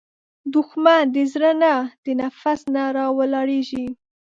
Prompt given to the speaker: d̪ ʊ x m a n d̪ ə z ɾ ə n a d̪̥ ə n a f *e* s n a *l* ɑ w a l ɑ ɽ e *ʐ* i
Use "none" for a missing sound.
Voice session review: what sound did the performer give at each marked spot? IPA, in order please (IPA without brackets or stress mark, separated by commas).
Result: a, ɾ, ʒ